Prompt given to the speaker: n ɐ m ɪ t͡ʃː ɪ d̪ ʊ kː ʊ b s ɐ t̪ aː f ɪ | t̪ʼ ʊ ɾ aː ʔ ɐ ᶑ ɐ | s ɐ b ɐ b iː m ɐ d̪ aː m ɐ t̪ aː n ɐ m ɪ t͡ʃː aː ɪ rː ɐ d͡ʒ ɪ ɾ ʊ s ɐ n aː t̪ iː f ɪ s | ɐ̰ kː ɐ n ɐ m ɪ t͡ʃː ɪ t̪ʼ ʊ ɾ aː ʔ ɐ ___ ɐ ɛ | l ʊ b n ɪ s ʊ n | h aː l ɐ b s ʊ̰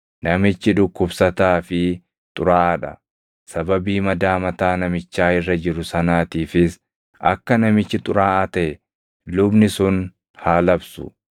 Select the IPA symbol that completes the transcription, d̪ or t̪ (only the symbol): t̪